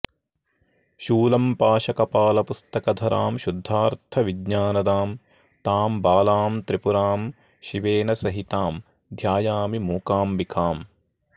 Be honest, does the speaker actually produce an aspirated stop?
yes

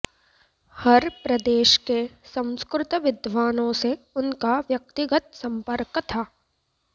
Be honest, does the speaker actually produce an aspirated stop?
yes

